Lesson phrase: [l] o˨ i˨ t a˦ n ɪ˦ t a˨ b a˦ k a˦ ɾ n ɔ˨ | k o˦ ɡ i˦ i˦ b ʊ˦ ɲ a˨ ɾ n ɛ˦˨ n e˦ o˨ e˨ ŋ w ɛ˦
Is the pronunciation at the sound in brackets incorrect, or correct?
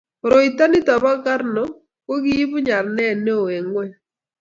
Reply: incorrect